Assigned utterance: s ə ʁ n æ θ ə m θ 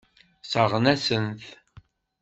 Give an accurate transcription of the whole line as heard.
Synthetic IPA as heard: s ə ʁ n æ s ə n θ